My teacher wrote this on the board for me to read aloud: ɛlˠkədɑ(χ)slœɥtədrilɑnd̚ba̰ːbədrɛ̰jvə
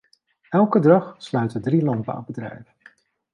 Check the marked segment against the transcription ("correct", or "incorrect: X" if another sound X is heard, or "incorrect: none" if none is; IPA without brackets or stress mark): correct